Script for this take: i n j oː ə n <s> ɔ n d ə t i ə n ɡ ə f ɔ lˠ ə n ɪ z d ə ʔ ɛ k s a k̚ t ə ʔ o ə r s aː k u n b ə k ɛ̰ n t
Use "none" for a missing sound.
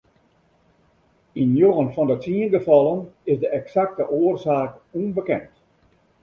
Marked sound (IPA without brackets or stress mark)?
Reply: f